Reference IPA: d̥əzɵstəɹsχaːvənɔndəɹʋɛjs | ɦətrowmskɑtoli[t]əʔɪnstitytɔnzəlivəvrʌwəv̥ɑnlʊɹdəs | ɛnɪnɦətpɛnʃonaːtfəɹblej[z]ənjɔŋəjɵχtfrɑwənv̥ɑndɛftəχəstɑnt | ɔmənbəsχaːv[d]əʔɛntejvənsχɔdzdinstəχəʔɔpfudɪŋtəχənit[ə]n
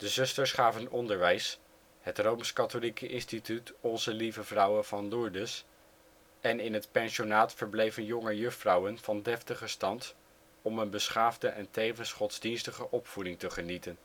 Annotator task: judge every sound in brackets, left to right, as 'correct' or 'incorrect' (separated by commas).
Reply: incorrect, incorrect, correct, correct